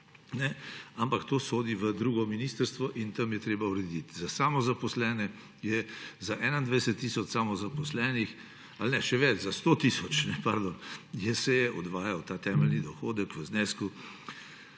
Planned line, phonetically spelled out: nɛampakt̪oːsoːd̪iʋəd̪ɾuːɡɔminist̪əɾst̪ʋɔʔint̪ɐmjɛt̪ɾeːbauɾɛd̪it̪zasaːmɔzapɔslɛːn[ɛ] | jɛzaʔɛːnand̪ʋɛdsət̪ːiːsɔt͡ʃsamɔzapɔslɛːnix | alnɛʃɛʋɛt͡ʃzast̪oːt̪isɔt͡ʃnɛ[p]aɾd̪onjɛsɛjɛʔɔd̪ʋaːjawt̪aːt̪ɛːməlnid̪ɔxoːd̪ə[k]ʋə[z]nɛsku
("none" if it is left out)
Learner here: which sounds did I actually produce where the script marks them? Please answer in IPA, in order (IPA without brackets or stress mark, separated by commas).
ɛ, p, k, z